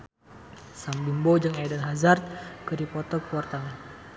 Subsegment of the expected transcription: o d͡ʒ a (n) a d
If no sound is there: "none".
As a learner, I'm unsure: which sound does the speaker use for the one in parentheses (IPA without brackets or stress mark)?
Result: ŋ